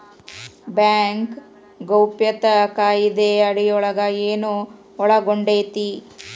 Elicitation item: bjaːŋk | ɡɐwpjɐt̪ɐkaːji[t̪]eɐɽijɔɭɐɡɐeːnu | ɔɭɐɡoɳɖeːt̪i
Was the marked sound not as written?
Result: yes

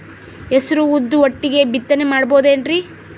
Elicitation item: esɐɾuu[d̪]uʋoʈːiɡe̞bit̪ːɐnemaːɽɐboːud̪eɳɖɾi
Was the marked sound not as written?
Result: yes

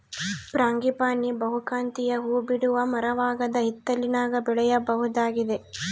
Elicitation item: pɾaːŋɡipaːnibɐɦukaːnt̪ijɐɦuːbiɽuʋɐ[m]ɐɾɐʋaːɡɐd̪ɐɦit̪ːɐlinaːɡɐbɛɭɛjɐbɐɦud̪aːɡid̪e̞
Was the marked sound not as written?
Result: no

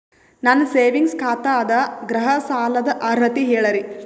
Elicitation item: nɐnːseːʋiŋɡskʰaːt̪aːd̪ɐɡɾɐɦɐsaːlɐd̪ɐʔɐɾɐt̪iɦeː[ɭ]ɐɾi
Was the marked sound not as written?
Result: no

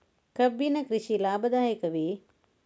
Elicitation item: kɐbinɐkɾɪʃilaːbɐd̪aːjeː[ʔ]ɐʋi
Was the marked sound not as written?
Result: yes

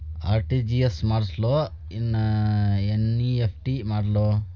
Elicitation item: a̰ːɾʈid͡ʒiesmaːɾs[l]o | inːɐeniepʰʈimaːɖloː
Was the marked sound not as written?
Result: no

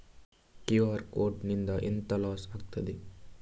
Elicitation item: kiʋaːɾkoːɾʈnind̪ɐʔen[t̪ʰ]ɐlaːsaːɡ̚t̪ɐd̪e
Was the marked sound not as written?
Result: yes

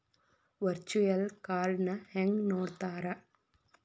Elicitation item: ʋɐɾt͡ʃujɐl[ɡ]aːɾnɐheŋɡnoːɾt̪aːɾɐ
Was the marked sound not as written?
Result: yes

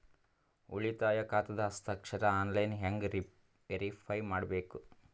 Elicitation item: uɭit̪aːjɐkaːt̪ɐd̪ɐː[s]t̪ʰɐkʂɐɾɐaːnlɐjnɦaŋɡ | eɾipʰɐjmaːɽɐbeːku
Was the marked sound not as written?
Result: no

